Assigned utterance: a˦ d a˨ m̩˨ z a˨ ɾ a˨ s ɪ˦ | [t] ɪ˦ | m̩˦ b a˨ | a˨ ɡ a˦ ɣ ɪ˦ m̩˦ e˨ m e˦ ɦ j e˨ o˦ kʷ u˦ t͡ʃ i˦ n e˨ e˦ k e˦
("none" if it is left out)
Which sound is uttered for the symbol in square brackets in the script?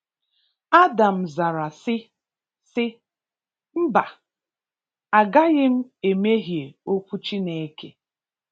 s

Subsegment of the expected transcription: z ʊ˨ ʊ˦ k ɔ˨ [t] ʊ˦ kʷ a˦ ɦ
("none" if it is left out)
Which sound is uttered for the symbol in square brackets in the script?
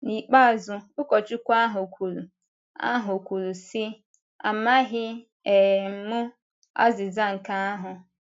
t͡ʃ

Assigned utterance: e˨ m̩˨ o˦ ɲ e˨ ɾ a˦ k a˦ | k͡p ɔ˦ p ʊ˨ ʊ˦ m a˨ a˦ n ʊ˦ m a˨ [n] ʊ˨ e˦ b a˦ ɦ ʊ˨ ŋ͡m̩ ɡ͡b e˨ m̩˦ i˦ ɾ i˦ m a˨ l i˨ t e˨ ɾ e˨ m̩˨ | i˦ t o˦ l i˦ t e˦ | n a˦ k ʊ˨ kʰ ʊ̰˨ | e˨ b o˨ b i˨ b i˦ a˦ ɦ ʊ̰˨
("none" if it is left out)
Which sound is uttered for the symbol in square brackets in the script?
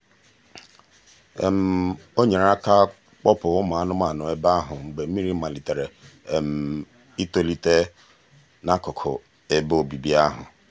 n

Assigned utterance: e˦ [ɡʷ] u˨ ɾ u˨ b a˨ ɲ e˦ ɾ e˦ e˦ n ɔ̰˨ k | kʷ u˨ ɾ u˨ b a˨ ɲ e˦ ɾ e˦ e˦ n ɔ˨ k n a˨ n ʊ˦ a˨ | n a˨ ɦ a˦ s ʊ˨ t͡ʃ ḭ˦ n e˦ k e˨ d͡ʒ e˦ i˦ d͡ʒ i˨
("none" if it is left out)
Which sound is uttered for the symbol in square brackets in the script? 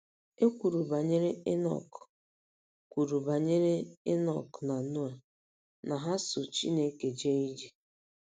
kʷ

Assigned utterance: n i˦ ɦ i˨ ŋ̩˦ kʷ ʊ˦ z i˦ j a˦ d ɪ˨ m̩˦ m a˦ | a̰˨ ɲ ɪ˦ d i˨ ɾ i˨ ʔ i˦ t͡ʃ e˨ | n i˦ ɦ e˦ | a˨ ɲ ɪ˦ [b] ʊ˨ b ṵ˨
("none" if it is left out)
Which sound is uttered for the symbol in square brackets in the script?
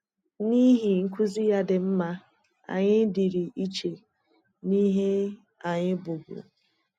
b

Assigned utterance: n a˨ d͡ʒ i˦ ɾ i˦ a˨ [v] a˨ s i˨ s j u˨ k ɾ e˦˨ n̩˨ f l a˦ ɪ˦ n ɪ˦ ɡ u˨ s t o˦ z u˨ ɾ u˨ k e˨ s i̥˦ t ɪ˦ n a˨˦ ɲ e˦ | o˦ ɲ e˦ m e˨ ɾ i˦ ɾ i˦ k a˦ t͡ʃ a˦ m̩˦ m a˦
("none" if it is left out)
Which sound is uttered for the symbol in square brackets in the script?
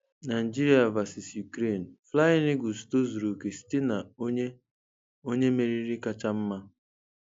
v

